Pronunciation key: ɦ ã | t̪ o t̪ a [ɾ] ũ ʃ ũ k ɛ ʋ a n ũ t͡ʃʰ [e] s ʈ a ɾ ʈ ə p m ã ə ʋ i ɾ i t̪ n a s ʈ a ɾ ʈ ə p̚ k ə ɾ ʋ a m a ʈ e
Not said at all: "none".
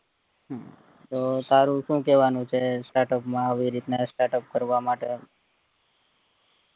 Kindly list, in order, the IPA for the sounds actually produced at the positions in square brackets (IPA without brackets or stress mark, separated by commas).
ɾ, e